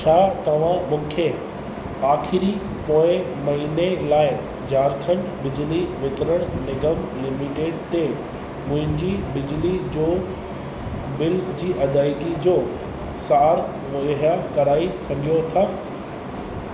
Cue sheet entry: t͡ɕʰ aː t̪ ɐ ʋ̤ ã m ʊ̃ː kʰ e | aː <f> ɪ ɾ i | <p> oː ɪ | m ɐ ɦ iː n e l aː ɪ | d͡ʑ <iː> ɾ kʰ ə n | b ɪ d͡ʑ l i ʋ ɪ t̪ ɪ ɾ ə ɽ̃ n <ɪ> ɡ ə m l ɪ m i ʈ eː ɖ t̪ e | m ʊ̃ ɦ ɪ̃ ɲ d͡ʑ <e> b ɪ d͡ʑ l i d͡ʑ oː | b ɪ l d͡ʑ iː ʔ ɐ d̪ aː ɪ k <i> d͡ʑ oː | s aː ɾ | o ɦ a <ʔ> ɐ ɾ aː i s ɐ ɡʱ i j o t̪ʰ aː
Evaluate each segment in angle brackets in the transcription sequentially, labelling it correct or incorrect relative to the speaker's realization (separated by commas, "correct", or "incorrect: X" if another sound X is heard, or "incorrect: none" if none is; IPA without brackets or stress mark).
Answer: incorrect: x, correct, incorrect: aː, correct, incorrect: i, correct, incorrect: k